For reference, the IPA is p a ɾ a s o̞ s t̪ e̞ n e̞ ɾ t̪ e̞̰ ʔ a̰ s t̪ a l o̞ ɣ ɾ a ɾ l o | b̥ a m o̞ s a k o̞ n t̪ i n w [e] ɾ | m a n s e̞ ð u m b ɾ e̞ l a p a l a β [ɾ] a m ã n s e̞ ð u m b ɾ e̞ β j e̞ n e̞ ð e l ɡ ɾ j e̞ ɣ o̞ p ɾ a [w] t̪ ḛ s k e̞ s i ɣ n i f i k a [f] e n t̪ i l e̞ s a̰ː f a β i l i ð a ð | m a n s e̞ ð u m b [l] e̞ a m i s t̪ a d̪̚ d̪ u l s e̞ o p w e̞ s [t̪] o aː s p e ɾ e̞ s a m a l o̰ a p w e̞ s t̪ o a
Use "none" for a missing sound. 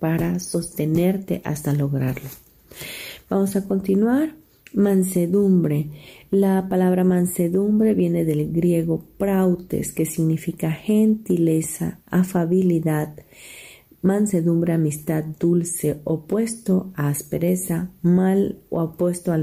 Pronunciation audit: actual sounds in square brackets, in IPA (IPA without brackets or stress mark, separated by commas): a, ɾ, w, x, ɾ, t̪